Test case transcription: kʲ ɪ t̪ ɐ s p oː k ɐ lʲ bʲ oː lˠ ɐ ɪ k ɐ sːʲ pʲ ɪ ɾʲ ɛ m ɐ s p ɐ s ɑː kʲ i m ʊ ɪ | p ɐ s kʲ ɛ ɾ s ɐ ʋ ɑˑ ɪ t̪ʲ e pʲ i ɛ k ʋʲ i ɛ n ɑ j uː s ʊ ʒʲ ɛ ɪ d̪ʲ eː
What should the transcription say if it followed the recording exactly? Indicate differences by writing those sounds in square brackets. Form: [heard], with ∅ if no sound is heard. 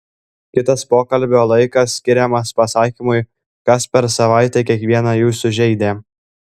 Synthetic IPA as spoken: kʲ ɪ t̪ ɐ s p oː k ɐ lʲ bʲ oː lˠ ɐ ɪ k ɐ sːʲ [kʲ] ɪ ɾʲ ɛ m ɐ s p ɐ s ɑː kʲ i m ʊ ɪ | [k] ɐ s [pʲ] ɛ ɾ s ɐ ʋ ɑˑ ɪ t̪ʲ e [kʲ] i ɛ k ʋʲ i ɛ n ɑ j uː s ʊ ʒʲ ɛ ɪ d̪ʲ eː